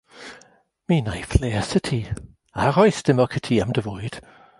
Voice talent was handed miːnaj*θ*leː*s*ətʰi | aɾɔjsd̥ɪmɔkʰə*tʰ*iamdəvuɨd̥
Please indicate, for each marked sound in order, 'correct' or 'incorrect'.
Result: incorrect: f, correct, correct

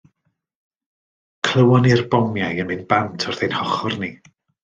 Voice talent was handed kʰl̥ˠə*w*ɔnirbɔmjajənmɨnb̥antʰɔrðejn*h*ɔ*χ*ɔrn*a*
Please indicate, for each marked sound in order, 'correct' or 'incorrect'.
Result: correct, correct, correct, incorrect: i

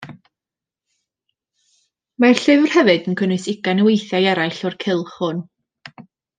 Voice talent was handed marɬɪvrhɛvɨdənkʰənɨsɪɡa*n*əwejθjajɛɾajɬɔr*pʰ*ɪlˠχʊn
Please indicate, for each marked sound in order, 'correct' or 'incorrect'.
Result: correct, incorrect: kʰ

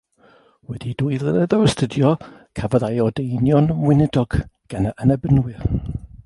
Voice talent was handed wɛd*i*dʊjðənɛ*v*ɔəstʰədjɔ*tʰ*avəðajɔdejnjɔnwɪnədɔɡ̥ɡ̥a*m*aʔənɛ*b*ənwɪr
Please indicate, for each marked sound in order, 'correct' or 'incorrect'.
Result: correct, incorrect: ð, incorrect: kʰ, incorrect: n, correct

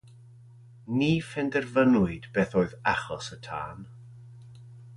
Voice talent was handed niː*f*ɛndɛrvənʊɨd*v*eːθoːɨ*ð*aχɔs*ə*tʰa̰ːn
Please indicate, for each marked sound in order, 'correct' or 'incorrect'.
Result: correct, incorrect: b, correct, correct

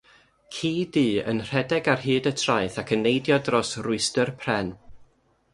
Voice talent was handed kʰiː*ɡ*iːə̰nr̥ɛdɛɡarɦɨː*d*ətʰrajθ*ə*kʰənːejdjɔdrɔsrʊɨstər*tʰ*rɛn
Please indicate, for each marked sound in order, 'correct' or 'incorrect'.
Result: incorrect: d, correct, incorrect: a, incorrect: pʰ

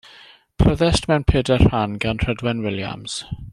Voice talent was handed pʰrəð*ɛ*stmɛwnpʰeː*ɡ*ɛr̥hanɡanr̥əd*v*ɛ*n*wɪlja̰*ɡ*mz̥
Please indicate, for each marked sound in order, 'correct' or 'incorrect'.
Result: correct, incorrect: d, incorrect: w, correct, incorrect: none

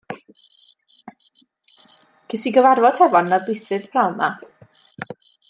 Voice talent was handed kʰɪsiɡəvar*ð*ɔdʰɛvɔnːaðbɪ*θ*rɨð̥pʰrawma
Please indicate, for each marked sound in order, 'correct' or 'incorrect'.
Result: incorrect: v, correct

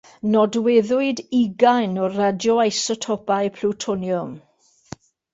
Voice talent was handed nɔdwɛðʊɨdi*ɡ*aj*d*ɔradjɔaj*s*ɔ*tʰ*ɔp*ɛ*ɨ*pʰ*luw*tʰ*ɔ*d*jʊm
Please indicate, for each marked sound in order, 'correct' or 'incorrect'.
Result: correct, incorrect: n, correct, correct, incorrect: a, correct, correct, incorrect: n

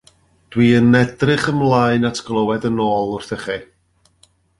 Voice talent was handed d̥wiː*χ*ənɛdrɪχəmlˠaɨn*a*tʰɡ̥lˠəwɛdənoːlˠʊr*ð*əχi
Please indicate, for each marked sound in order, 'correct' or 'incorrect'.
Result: incorrect: none, correct, incorrect: θ

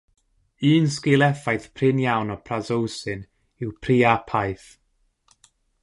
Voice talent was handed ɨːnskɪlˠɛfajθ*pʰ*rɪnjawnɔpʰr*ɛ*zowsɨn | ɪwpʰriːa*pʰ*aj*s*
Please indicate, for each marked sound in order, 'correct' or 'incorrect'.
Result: correct, incorrect: a, correct, incorrect: θ

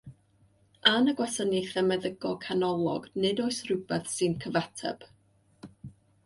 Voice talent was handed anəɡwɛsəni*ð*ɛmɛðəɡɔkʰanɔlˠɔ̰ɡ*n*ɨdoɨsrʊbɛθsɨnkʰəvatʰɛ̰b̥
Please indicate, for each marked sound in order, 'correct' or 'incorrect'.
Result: incorrect: θ, correct

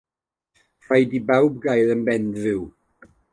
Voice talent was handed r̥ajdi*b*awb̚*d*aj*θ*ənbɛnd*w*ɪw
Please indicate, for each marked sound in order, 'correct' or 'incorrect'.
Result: correct, incorrect: ɡ, incorrect: ð, incorrect: v

